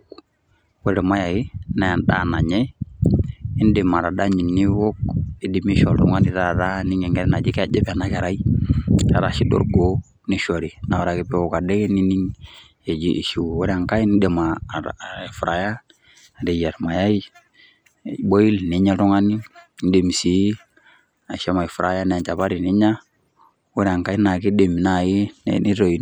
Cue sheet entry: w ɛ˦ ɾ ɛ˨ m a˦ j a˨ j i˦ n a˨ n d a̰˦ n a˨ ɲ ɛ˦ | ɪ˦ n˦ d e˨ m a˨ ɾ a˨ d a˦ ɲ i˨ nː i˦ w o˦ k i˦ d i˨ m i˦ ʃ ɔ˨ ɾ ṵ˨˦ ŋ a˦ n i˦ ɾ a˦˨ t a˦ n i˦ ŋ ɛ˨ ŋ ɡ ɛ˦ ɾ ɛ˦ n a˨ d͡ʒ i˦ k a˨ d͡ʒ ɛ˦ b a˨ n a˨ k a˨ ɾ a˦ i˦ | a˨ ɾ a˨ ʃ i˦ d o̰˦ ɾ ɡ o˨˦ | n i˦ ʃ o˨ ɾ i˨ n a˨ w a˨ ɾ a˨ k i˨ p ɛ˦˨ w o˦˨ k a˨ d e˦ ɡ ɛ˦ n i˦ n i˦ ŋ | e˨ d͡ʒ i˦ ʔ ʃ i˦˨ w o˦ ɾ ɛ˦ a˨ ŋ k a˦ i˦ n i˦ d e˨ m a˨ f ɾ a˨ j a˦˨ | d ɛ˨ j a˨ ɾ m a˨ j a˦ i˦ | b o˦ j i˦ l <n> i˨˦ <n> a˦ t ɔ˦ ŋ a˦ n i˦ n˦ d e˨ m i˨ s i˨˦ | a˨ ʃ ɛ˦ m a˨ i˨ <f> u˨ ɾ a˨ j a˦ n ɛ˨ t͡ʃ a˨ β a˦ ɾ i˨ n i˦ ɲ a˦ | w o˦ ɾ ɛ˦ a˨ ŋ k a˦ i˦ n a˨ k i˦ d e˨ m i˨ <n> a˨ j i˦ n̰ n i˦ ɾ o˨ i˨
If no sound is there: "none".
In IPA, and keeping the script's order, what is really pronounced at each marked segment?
n, ɲ, f, n

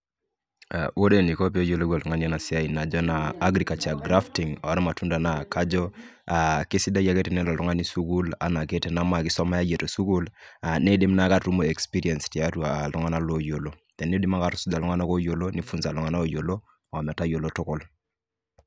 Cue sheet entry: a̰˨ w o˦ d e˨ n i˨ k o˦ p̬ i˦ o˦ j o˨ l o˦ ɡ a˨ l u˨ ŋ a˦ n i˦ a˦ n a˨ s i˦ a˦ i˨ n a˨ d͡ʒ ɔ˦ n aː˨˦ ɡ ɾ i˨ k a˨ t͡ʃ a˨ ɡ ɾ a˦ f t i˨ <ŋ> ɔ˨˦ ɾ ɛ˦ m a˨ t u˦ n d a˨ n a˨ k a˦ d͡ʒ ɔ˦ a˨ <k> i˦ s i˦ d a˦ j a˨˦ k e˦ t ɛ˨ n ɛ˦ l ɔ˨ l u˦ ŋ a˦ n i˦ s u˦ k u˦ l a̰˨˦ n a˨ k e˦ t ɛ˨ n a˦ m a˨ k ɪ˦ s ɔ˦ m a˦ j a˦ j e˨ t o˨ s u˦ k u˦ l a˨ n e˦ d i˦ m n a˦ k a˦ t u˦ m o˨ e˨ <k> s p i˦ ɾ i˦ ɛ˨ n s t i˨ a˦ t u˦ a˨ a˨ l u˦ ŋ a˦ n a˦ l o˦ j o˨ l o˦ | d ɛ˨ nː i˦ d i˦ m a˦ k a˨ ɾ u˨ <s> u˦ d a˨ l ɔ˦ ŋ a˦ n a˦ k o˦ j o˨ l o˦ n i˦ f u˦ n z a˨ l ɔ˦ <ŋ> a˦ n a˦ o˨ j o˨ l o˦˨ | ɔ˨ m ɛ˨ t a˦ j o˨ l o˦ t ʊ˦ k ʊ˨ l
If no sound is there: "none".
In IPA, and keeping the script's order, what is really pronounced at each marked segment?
ŋ, k, k, s, ŋ

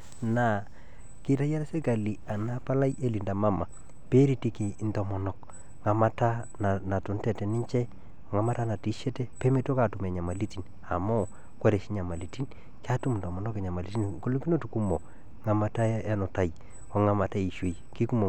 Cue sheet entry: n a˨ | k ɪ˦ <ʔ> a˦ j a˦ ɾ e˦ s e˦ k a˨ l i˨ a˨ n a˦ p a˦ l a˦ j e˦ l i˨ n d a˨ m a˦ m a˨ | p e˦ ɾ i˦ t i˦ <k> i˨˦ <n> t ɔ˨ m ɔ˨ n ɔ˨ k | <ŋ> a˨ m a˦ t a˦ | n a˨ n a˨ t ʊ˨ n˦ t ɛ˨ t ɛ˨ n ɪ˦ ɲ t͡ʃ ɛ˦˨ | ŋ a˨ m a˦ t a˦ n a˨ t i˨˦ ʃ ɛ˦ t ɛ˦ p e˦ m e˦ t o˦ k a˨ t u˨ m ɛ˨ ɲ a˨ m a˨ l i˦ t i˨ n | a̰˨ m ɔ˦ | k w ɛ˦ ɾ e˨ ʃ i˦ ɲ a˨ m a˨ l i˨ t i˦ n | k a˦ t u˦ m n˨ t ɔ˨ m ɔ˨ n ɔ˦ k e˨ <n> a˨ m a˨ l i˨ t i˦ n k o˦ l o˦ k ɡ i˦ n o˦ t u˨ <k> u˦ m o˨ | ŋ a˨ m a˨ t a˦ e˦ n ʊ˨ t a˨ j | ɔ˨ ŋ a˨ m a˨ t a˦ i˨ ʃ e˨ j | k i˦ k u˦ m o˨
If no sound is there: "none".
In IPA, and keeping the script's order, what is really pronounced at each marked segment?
t, k, n, ŋ, ɲ, k

